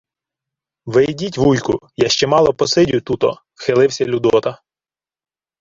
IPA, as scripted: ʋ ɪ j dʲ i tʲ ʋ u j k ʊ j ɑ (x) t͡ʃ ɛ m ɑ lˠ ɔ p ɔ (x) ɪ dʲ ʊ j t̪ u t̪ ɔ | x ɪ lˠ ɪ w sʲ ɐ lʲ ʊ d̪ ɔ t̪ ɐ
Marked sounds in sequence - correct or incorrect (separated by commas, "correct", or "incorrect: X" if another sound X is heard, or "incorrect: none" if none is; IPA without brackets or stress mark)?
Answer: incorrect: ʃ, incorrect: s